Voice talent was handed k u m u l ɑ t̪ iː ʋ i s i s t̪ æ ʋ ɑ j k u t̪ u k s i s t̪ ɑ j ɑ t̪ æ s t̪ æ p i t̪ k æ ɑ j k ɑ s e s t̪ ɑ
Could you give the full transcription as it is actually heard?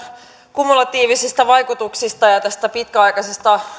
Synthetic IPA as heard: k u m u l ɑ t̪ iː ʋ i s i s t̪ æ ʋ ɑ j k u t̪ u k s i s t̪ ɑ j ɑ t̪ æ s t̪ æ p i t̪ k æ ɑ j k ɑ s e s t̪ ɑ